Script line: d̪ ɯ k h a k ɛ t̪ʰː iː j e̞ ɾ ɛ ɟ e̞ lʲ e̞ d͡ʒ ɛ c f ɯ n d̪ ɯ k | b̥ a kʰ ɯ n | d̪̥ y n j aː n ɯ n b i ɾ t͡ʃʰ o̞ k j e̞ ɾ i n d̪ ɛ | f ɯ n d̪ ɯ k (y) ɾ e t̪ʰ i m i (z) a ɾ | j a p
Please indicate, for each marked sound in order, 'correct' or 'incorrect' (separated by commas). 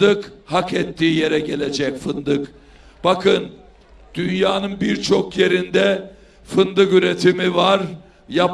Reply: correct, incorrect